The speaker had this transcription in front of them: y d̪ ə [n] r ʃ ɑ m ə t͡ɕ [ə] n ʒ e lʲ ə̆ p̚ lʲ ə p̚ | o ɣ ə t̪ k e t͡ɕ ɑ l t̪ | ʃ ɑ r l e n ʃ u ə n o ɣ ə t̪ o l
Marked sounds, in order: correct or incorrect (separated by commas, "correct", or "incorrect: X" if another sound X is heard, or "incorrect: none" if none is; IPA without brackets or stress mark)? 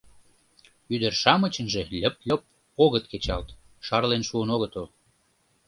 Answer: incorrect: none, correct